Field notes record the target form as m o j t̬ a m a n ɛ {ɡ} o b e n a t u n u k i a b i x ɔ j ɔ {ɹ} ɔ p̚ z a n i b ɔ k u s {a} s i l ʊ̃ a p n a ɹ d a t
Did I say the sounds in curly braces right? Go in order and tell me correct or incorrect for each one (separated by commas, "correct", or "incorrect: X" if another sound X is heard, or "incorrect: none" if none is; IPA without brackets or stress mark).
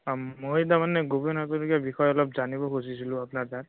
correct, incorrect: l, incorrect: i